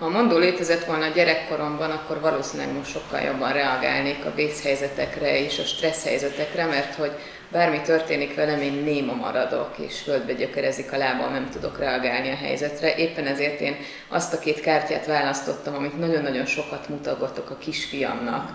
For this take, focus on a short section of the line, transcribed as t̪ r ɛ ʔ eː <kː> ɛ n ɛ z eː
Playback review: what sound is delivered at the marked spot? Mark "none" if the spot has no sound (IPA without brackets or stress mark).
pː